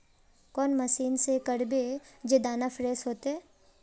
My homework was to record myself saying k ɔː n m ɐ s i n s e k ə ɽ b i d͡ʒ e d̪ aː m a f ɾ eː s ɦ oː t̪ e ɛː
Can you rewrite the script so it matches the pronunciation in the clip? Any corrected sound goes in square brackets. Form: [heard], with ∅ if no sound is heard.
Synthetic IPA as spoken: k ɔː n m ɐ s [iː] n s e k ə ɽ b [e] d͡ʒ e d̪ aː [n] a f ɾ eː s ɦ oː t̪ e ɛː